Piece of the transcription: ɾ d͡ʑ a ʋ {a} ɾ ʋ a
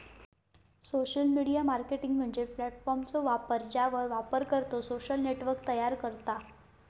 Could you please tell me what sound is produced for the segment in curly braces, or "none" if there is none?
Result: ə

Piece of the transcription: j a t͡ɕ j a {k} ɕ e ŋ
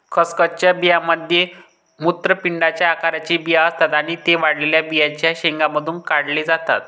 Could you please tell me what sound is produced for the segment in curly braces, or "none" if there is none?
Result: none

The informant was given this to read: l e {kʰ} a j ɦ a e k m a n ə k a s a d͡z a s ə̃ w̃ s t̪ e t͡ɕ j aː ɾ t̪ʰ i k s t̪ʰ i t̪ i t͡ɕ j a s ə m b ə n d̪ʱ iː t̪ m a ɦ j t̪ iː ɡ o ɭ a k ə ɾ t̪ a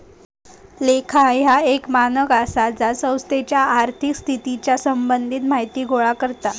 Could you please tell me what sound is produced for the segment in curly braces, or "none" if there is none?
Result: kʰ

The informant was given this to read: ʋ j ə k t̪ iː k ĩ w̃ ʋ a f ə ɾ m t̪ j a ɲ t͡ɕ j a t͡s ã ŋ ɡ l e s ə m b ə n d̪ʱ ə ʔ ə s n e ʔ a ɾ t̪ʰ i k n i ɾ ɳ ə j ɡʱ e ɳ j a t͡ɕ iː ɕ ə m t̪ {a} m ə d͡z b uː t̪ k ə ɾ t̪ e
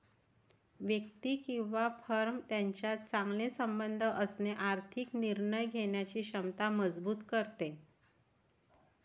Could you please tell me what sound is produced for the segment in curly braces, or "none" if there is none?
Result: a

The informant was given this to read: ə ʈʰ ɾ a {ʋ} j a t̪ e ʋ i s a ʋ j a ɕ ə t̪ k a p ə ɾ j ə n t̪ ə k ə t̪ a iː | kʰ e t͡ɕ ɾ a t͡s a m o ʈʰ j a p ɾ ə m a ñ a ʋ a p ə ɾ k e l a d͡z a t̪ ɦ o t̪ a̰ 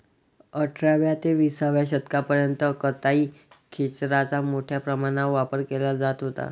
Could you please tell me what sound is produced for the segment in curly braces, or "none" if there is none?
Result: ʋ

